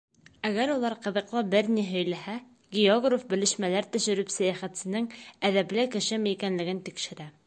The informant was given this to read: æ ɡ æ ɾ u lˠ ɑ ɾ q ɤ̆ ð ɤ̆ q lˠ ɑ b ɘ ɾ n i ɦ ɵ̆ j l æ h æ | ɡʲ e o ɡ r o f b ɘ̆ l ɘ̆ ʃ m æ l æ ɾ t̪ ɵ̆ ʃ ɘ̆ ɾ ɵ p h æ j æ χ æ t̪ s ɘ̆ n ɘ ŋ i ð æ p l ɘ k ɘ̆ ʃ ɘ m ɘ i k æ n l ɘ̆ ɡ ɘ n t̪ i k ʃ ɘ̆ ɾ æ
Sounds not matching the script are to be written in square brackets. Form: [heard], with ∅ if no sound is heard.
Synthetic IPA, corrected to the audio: æ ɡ æ ɾ u lˠ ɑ ɾ q ɤ̆ ð ɤ̆ q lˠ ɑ b ɘ ɾ n i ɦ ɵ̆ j l æ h æ | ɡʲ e o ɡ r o f b ɘ̆ l ɘ̆ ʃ m æ l æ ɾ t̪ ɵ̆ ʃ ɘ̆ ɾ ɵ p [s] æ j æ χ æ t̪ s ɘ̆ n ɘ ŋ [æ] ð æ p l ɘ k ɘ̆ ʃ ɘ m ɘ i k æ n l ɘ̆ ɡ ɘ n t̪ i k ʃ ɘ̆ ɾ æ